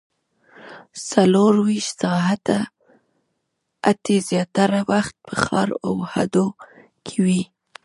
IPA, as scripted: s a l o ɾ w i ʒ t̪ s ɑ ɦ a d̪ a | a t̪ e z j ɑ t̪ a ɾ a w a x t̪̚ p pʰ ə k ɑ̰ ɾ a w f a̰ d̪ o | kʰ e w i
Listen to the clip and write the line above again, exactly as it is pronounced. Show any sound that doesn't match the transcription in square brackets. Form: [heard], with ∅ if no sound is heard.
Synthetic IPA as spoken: s a l o ɾ w i [ʃ] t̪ s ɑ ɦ a [t̪] a | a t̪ e z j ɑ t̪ a ɾ a w a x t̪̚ p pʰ ə [x] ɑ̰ ɾ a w [h] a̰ d̪ o | kʰ e w i